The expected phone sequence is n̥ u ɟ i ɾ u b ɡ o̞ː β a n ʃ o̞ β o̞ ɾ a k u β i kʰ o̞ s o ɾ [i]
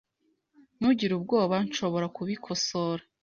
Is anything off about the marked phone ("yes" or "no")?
yes